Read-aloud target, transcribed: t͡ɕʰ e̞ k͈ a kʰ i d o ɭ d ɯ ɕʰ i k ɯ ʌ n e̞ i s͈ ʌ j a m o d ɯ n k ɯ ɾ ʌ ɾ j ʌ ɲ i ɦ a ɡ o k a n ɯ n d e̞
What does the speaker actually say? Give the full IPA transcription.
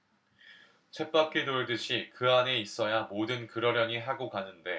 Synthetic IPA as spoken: t͡ɕʰ e̞ p͈ a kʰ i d o ɭ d ɯ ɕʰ i k ɯ a n e̞ i s͈ ʌ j a m o d ɯ n k ɯ ɾ ʌ ɾ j ʌ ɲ i ɦ a ɡ o k a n ɯ n d e̞